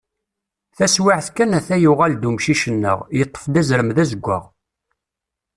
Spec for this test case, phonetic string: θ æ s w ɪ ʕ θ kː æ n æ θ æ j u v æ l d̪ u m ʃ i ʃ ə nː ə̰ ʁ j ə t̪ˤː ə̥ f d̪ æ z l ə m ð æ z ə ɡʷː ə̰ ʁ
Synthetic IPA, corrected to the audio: θ æ s w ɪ ʕ θ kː æ n æ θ æ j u ʁ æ l d̪ u m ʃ i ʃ ə nː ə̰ ʁ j ə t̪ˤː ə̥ f d̪ æ z ɾ ə m ð æ z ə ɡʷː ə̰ ʁ